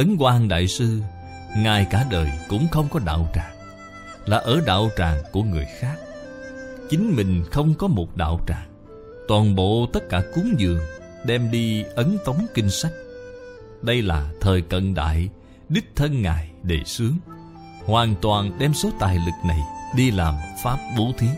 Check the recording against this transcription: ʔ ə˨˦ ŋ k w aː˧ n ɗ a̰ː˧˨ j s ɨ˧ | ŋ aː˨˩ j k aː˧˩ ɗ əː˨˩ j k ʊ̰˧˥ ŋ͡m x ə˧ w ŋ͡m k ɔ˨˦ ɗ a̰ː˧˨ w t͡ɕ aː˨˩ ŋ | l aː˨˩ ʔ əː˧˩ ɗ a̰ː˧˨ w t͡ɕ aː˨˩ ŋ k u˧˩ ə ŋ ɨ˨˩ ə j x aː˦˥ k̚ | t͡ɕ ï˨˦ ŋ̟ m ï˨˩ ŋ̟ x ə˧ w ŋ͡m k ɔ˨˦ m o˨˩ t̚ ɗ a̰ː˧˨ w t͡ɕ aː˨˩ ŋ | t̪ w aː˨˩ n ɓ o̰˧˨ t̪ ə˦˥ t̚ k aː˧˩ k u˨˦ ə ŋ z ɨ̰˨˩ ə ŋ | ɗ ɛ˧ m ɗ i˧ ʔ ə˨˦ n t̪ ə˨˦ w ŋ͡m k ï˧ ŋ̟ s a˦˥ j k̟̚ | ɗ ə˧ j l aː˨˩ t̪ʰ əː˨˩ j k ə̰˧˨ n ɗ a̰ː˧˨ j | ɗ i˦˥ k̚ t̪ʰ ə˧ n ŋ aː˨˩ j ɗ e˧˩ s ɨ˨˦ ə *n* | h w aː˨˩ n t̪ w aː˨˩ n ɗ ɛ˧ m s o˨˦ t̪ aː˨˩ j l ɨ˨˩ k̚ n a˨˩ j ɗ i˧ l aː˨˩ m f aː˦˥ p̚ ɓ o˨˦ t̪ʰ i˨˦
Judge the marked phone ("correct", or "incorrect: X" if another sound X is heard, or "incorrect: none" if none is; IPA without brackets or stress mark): incorrect: ŋ